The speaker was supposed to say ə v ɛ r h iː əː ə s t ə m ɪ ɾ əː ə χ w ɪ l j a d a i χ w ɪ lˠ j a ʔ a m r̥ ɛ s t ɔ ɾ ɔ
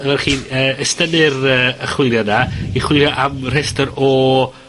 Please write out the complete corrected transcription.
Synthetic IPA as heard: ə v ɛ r χ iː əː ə s t ə n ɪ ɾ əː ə χ w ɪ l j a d a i χ w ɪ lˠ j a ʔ a m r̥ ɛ s t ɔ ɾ ɔ

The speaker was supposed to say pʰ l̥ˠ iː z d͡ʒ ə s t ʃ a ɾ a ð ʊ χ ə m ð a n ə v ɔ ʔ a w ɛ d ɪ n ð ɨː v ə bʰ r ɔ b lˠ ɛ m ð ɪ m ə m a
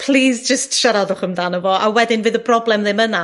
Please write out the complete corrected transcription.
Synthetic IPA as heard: pʰ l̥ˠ iː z d͡ʒ ə s t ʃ a ɾ a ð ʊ χ ə m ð a n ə v ɔ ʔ a w ɛ d ɪ n v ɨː ð ə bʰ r ɔ b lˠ ɛ m ð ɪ m ə n a

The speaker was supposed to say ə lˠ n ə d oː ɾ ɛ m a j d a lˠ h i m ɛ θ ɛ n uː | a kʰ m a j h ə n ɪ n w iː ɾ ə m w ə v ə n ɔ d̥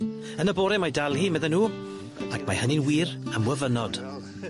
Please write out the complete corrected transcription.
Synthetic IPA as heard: ə n ə b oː ɾ ɛ m a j d a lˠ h i m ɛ ð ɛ n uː | a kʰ m a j h ə n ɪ n w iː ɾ ə m w ə v ə n ɔ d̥

